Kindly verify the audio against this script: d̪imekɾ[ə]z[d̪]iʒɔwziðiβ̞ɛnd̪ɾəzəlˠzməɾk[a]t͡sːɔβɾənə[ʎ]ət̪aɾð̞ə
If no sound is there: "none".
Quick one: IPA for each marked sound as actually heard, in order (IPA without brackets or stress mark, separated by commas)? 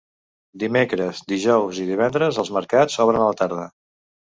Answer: ə, d̪, a, l